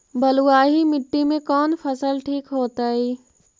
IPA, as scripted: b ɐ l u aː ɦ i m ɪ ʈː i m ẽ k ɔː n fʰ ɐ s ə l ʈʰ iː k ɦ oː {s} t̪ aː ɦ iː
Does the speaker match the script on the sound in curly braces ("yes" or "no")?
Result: no